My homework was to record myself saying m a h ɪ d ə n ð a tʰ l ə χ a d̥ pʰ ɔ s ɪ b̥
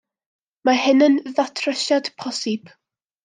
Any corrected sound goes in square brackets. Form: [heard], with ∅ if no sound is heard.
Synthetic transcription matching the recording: m a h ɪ [n] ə n ð a tʰ [r] ə [ʃ] a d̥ pʰ ɔ s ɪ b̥